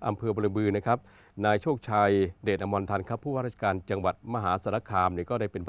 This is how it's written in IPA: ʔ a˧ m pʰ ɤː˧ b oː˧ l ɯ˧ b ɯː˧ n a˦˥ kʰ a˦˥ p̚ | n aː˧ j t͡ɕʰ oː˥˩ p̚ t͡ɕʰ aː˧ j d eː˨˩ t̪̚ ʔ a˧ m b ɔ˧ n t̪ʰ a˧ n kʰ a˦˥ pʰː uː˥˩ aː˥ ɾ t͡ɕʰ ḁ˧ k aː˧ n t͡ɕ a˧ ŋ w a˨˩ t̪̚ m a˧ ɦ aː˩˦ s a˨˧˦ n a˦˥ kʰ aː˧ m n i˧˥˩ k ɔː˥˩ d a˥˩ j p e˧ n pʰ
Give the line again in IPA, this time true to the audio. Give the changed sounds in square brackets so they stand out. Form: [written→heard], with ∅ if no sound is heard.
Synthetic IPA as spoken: ʔ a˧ m pʰ ɤː˧ b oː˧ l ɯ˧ b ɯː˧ n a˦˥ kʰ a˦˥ p̚ | n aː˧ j t͡ɕʰ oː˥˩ [p̚→k̚] t͡ɕʰ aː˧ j d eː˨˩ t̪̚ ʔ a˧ m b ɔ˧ n t̪ʰ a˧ n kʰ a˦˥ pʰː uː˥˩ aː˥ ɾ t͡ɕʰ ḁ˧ k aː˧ n t͡ɕ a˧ ŋ w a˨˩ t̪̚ m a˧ ɦ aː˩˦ s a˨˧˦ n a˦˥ kʰ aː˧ m n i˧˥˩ k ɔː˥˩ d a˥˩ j p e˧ n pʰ